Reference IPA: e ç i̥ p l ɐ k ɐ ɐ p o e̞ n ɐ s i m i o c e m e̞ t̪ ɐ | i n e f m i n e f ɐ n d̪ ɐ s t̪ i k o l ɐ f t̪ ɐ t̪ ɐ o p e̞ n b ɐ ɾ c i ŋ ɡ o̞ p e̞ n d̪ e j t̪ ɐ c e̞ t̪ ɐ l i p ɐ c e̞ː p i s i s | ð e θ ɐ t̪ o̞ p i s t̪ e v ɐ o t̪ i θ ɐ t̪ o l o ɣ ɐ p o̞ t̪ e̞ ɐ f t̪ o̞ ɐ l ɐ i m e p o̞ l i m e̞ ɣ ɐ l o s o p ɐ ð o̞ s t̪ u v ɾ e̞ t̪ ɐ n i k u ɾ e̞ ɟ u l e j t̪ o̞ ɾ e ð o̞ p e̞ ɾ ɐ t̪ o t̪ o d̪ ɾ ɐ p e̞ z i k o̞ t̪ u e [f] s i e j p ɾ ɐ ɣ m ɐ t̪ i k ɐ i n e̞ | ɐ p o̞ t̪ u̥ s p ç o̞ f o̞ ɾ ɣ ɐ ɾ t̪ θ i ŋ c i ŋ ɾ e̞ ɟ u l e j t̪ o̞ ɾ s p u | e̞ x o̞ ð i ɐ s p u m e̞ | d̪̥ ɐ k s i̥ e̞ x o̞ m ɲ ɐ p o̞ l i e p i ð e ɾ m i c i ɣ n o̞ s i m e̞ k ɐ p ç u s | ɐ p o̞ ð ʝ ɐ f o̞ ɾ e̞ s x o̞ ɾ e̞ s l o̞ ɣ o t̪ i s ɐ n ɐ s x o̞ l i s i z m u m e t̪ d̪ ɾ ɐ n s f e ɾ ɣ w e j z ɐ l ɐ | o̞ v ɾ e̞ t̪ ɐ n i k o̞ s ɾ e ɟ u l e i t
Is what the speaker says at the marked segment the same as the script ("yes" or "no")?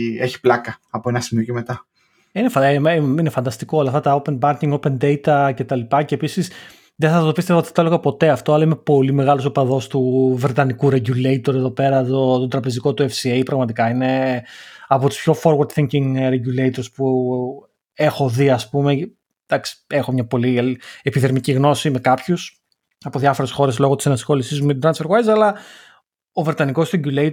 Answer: yes